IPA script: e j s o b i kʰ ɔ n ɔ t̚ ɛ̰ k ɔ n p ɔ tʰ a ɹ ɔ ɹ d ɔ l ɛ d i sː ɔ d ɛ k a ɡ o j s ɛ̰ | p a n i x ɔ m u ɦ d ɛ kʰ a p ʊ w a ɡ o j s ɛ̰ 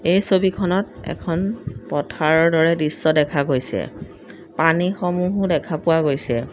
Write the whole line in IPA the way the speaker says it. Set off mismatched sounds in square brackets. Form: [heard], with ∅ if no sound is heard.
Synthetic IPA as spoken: e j s o b i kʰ ɔ n ɔ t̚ ɛ̰ [kʰ] ɔ n p ɔ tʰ a ɹ ɔ ɹ d ɔ [ɹ] ɛ d i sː ɔ d ɛ [kʰ] a ɡ o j s ɛ̰ | p a n i x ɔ m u ɦ d ɛ kʰ a p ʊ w a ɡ o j s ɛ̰